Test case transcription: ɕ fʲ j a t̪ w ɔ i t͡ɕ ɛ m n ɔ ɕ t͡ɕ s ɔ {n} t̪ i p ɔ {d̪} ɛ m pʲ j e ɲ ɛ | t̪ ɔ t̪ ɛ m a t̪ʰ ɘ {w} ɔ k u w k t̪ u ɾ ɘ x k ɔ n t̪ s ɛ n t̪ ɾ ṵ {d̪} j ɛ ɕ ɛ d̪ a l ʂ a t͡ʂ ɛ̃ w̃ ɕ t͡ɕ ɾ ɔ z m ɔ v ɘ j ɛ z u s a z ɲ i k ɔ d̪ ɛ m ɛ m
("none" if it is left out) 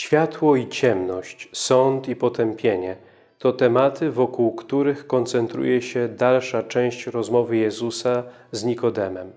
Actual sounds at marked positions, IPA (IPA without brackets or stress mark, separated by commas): n, t̪, v, none